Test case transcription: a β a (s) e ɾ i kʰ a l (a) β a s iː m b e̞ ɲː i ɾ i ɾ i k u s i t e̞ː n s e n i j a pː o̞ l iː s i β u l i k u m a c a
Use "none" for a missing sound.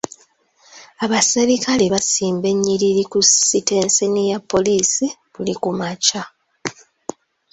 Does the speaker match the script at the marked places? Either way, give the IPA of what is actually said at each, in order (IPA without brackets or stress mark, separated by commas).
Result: s, e